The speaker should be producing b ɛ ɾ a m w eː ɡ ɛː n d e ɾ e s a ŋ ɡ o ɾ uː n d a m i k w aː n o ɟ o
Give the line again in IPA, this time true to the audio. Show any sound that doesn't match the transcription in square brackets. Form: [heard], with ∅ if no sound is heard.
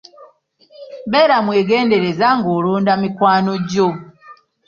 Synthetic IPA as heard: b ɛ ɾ a m w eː ɡ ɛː n d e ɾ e [z] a ŋ ɡ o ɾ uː n d a m i k w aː n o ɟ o